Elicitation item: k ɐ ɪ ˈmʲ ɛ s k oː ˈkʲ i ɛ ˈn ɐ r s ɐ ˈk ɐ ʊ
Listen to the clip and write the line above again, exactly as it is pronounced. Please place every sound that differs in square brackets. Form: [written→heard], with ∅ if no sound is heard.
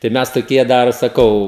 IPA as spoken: [k→t] ɐ ɪ ˈmʲ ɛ s [k→t] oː ˈkʲ i ɛ [ˈn→ˈd] ɐ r s ɐ ˈk ɐ ʊ